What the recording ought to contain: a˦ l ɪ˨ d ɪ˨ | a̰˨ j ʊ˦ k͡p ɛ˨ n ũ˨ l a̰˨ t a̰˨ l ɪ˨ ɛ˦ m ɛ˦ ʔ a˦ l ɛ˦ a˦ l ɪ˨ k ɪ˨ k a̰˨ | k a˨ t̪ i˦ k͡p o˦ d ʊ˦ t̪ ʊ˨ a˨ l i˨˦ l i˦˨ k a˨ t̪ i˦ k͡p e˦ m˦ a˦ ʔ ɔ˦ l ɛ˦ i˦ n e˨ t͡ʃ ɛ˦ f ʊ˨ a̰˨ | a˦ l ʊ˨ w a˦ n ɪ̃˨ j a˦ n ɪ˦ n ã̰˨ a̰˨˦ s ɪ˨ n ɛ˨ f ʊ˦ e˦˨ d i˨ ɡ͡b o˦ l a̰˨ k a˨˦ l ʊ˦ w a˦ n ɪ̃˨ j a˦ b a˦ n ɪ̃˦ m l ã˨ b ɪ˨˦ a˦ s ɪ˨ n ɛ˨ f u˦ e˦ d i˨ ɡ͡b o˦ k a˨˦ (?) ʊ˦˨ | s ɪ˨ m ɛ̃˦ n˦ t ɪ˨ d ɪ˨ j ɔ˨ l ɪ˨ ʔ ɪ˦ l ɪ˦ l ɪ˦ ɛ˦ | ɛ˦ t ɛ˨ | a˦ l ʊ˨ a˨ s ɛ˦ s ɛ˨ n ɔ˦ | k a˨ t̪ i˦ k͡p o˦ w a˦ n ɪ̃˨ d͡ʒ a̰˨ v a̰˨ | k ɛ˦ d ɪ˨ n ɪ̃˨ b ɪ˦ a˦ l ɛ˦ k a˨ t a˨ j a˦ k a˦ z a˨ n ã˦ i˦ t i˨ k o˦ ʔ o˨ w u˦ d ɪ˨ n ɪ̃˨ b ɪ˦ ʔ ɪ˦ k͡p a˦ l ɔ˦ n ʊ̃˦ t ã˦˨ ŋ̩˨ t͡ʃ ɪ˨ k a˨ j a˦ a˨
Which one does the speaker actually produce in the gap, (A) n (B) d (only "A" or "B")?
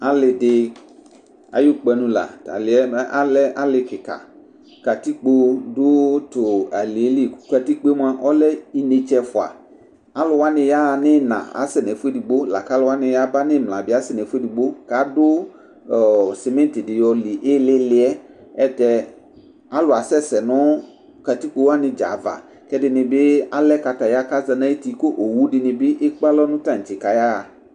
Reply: B